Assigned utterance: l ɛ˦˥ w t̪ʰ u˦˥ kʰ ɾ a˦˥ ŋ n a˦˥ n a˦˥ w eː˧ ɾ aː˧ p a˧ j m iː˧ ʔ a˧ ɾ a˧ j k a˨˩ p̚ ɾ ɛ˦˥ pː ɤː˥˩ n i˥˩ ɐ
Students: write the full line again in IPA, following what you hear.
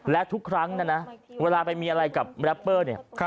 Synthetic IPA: l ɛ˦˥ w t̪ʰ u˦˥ kʰ ɾ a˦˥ ŋ n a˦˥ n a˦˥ w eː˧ l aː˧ p a˧ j m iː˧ ʔ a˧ ɾ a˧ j k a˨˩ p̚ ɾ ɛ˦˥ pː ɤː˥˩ n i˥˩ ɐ